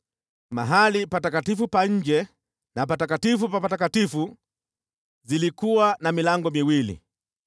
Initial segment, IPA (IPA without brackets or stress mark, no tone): m